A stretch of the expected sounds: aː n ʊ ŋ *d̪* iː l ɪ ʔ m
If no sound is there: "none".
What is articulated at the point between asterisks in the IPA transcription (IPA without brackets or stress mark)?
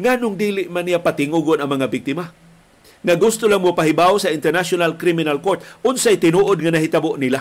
d̪